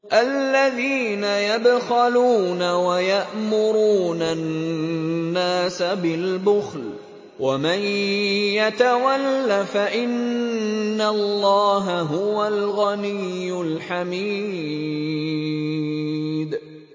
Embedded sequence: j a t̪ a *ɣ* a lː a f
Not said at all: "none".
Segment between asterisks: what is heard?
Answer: w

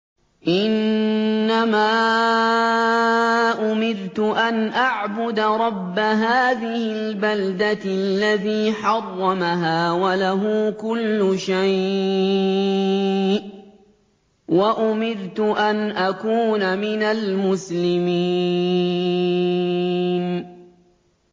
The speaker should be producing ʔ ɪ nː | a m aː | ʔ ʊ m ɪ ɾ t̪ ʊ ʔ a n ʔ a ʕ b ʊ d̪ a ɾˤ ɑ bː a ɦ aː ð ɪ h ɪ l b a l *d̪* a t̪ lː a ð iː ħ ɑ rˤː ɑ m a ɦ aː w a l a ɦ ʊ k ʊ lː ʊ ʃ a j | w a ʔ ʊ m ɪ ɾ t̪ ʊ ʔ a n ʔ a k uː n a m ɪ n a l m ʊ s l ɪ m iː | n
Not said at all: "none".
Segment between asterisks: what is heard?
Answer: d̪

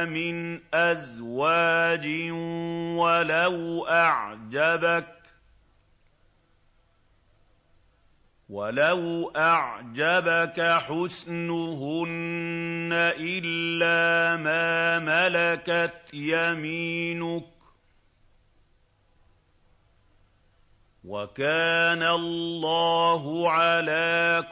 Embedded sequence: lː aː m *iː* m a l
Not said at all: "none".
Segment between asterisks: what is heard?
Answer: aː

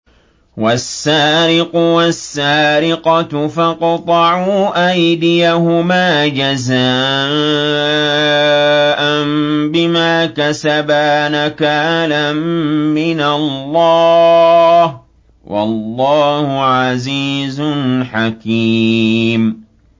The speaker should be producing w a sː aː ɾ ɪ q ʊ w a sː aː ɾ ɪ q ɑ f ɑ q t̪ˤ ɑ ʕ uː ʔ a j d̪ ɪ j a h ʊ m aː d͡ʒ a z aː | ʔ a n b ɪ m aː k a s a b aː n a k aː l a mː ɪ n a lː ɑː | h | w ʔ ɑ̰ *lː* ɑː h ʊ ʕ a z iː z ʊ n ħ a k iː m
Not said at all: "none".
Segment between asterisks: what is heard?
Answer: lː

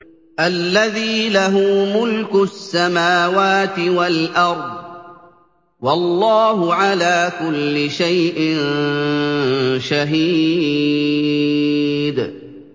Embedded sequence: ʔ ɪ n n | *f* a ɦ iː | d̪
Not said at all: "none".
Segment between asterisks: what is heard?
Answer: ʃ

